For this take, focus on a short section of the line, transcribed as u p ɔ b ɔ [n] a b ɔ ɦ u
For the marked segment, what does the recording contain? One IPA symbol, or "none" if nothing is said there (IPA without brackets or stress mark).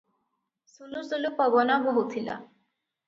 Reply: n